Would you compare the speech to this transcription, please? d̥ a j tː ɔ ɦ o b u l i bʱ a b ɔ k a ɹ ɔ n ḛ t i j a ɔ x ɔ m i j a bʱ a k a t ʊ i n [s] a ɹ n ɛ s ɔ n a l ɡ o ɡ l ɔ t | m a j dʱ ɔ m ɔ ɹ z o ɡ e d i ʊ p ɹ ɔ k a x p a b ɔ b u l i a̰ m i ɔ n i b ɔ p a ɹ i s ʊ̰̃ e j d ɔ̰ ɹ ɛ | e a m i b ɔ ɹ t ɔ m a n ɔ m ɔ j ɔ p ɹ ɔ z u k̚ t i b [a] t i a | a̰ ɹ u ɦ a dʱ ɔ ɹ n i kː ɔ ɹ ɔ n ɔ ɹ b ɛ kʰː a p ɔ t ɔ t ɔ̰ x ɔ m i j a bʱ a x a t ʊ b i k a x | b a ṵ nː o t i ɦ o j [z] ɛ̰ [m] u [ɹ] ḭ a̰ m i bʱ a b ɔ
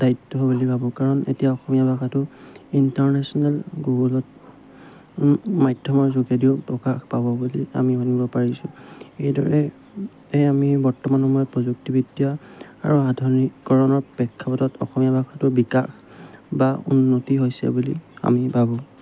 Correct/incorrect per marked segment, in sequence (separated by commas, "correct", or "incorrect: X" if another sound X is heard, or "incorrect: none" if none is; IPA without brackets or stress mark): incorrect: t, incorrect: i, incorrect: s, incorrect: b, incorrect: l